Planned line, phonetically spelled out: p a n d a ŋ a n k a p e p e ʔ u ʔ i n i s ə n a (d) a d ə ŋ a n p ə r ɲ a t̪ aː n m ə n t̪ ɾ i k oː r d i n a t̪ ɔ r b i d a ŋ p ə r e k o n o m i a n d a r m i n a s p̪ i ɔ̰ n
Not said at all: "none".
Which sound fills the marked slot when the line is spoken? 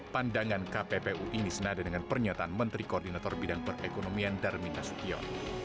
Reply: d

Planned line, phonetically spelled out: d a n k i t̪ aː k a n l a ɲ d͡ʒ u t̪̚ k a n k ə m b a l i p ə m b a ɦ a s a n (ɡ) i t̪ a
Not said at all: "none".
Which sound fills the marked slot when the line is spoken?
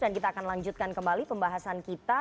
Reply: k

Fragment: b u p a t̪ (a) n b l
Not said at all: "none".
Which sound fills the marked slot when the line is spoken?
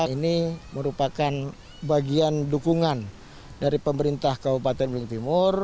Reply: ɛ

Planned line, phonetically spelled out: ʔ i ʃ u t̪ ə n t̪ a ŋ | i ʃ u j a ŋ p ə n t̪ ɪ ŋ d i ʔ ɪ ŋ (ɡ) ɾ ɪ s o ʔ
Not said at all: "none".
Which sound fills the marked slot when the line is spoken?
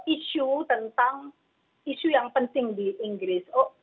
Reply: ɡ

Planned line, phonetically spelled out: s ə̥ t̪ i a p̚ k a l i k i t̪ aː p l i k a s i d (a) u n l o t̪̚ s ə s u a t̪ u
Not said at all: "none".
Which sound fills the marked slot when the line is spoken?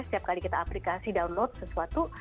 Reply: a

